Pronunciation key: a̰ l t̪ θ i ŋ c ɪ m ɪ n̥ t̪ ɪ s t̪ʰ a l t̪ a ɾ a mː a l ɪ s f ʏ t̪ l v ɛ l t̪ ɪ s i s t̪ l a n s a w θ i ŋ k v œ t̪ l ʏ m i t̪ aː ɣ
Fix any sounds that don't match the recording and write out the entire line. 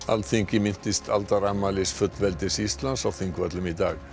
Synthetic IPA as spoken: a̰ l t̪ θ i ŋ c ɪ m ɪ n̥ t̪ ɪ s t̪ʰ a l t̪ a ɾ a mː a l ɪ s f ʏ t̪ l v ɛ l t̪ ɪ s i s t̪ l a n s a w θ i ŋ k v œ t̪ l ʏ m i t̪ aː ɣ